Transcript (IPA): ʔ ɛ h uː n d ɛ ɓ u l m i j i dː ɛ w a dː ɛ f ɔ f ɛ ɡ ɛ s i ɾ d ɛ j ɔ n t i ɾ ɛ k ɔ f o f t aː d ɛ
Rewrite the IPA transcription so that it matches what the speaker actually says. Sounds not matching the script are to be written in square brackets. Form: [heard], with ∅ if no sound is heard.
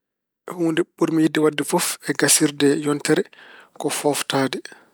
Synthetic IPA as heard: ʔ ɛ h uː n d ɛ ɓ u [ɾ] m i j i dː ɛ w a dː ɛ f ɔ f ɛ ɡ [a] s i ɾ d ɛ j ɔ n t [ɛ] ɾ ɛ k ɔ f [ɔ] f t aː d ɛ